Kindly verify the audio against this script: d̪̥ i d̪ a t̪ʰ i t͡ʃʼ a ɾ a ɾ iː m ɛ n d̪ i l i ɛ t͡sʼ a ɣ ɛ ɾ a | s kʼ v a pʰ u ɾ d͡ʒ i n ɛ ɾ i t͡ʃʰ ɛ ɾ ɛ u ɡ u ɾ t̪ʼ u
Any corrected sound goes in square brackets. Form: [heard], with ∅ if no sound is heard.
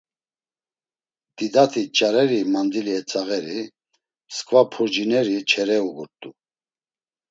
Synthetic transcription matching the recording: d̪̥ i d̪ a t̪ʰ i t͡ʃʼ a ɾ [ɛ] ɾ [i] m [a] n d̪ i l i ɛ t͡sʼ a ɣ ɛ ɾ [i] | s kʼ v a pʰ u ɾ d͡ʒ i n ɛ ɾ i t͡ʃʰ ɛ ɾ ɛ u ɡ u ɾ t̪ʼ u